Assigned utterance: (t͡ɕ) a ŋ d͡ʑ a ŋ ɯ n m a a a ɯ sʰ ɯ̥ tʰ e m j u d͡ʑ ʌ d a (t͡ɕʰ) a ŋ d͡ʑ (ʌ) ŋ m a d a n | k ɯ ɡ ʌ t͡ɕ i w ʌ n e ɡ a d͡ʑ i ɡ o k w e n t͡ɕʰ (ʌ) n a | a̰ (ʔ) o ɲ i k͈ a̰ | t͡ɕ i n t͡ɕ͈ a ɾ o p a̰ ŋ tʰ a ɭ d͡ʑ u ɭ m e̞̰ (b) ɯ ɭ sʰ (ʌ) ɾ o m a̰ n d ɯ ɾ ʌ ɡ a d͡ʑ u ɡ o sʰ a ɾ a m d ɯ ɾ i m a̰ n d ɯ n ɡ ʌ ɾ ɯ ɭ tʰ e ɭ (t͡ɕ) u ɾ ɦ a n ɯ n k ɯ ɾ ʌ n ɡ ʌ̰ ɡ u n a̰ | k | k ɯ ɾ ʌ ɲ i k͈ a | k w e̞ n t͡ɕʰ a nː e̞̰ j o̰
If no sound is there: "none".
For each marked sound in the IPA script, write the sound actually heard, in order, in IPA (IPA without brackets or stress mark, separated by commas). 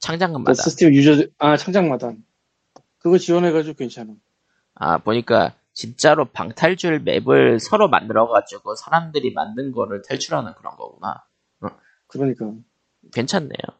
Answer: t͡ɕʰ, t͡ɕʰ, a, a, p, b, ʌ, t͡ɕʰ